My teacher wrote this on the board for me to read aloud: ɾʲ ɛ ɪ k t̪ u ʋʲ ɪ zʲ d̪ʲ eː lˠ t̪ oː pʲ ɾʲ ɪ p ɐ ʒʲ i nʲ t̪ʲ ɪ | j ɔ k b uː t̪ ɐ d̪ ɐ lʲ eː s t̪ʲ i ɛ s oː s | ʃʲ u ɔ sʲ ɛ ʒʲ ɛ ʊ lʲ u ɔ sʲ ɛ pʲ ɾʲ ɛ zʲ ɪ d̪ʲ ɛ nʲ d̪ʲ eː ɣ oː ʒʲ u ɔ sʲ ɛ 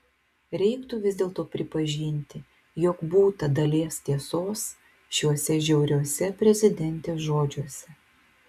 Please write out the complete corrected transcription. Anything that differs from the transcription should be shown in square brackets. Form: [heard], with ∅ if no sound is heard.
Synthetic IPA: ɾʲ ɛ ɪ k t̪ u ʋʲ ɪ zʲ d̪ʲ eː lˠ t̪ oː pʲ ɾʲ ɪ p ɐ ʒʲ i nʲ t̪ʲ ɪ | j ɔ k b uː t̪ ɐ d̪ ɐ lʲ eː s t̪ʲ i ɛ s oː s | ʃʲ u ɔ sʲ ɛ ʒʲ ɛ ʊ [ɾʲ] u ɔ sʲ ɛ pʲ ɾʲ ɛ zʲ ɪ d̪ʲ ɛ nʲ [t̪ʲ] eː [ʒ] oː [d͡ʒʲ] u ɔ sʲ ɛ